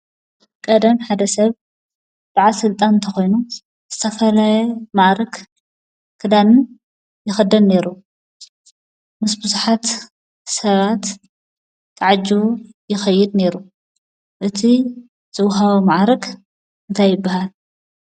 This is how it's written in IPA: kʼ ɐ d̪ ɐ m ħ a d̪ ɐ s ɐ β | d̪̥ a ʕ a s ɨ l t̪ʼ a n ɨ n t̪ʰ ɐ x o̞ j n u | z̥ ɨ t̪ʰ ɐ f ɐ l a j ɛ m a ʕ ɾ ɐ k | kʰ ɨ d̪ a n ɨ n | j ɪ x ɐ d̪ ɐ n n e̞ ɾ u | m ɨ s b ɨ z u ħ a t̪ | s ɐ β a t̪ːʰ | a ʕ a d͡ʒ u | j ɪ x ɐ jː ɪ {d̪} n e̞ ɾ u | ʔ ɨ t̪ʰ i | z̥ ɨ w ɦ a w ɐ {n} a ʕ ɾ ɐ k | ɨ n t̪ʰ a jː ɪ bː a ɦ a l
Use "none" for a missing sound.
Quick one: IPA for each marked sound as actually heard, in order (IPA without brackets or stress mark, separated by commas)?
d̪, m